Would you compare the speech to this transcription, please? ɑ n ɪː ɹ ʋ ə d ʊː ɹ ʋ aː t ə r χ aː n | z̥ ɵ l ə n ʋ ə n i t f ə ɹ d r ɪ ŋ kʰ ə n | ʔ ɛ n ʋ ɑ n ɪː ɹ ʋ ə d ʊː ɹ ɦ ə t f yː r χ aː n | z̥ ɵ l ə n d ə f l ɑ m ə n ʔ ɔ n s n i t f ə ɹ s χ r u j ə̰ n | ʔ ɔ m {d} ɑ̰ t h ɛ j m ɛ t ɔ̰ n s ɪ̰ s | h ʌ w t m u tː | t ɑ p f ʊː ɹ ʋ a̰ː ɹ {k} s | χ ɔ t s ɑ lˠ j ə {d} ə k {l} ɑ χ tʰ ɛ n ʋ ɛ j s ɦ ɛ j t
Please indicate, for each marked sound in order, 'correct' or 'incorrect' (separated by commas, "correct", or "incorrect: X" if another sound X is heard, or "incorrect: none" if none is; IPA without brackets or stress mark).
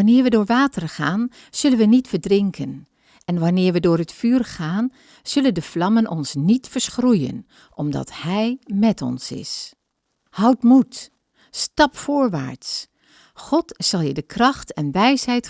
correct, incorrect: t, correct, incorrect: r